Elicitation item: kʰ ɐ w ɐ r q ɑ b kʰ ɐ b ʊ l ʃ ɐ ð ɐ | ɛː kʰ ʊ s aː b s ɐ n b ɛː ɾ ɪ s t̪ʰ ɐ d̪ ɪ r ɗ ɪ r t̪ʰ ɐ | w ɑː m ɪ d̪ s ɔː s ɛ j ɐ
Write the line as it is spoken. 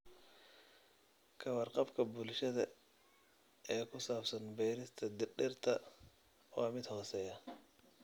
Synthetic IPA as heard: kʰ ɐ w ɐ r q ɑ b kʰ ɐ b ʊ l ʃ ɐ ð ɐ | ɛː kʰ ʊ s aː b s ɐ n b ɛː ɾ ɪ s t̪ʰ ɐ d̪ ɪ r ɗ ɪ r t̪ʰ ɐ | w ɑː m ɪ d̪ h ɔː s ɛ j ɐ